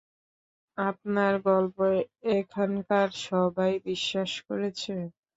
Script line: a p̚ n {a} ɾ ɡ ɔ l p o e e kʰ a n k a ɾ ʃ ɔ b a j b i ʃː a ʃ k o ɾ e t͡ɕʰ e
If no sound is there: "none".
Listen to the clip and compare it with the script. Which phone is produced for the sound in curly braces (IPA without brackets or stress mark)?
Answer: a